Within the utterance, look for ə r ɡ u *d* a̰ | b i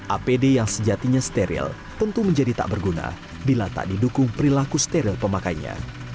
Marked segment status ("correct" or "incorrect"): incorrect